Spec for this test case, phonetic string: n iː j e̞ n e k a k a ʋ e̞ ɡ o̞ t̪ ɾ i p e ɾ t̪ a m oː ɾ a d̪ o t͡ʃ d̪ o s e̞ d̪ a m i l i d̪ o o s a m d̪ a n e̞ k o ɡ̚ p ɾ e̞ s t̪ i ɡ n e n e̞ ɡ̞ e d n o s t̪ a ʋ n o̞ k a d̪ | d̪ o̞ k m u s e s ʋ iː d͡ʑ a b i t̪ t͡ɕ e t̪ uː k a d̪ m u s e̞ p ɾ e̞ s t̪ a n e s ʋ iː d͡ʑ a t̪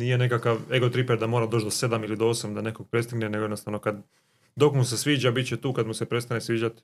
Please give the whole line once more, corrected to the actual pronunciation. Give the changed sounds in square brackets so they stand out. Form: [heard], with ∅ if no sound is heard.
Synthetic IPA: n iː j e̞ n e k a k a ʋ e̞ ɡ o̞ t̪ ɾ i p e ɾ [d̪] a m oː ɾ a d̪ o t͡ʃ d̪ o s e̞ d̪ a m i l i d̪ o o s a m d̪ a n e̞ k o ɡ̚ p ɾ e̞ s t̪ i ɡ n e n e̞ ɡ̞ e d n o s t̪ a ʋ n o̞ k a d̪ | d̪ o̞ k m u s e s ʋ iː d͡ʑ a b i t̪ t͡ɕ e t̪ uː k a d̪ m u s e̞ p ɾ e̞ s t̪ a n e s ʋ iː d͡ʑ a t̪